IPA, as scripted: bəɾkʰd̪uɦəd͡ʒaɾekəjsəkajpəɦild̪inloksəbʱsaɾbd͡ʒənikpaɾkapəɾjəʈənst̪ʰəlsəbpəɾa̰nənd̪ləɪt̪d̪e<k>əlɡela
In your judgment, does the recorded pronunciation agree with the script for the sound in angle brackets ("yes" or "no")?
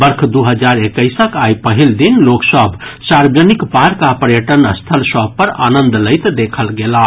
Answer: no